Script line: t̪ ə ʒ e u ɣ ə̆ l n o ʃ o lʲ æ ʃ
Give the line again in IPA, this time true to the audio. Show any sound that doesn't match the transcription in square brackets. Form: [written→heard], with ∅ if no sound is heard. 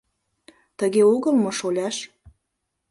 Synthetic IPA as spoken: t̪ ə [ʒ→ɣ] e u ɣ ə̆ l [n→m] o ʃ o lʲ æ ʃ